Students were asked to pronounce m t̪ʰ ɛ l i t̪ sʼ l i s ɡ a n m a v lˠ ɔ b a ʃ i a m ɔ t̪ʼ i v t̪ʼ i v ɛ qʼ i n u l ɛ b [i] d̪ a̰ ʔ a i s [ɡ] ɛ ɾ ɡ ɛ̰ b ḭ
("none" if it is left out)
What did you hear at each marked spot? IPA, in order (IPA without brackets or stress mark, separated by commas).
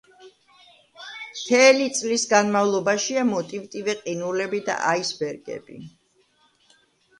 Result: i, b